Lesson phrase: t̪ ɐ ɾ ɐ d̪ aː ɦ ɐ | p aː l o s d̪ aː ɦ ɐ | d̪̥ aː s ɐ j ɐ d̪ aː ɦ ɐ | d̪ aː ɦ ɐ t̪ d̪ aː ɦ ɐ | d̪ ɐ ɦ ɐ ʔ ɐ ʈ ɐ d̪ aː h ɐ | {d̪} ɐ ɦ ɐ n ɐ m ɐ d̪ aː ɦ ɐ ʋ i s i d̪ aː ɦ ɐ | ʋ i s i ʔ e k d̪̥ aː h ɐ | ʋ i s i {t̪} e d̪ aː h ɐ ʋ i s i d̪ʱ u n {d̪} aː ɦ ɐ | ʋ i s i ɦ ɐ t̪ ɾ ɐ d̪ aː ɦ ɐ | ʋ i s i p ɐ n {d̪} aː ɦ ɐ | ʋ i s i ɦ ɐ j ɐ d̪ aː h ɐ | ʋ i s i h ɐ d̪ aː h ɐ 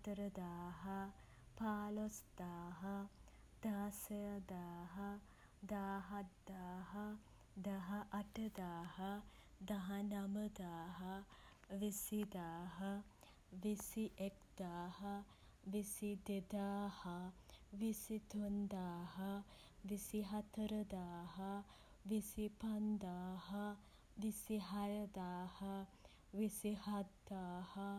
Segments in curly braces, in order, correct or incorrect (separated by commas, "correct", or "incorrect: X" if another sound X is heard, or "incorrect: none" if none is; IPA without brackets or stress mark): correct, incorrect: d̪, correct, correct